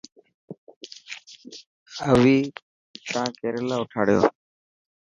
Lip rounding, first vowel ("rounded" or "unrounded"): unrounded